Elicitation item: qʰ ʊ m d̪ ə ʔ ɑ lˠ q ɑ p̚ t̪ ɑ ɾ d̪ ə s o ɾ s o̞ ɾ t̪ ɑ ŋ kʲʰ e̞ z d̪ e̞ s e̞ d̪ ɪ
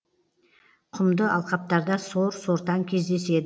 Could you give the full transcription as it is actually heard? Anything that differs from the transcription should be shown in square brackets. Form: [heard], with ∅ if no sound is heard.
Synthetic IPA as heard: qʰ ʊ m d̪ ə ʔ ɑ lˠ q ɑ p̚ t̪ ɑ ɾ d̪ [ɑ] s o ɾ s o̞ ɾ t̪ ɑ ŋ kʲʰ e̞ z d̪ e̞ s e̞ d̪ ɪ